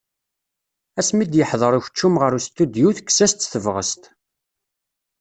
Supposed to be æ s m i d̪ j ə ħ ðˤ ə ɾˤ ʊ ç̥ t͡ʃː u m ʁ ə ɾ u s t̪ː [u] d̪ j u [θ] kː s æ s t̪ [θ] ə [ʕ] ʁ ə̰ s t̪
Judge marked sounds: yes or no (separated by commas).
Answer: yes, yes, yes, no